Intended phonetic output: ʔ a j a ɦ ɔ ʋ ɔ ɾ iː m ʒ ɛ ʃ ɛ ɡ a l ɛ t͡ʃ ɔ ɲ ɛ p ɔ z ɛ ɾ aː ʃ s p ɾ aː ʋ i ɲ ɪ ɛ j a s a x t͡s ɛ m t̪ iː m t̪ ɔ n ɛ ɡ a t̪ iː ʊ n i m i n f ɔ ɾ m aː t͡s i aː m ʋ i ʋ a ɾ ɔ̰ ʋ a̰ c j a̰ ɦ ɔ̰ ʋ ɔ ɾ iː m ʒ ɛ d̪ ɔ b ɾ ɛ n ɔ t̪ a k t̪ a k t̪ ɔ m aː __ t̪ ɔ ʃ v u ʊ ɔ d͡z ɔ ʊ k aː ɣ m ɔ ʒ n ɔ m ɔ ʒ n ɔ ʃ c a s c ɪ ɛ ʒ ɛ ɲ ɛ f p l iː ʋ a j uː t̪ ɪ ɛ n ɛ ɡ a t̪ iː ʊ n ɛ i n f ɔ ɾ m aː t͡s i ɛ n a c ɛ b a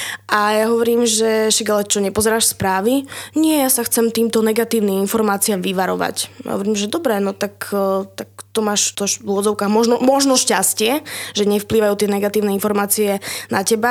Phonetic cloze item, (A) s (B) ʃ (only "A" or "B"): B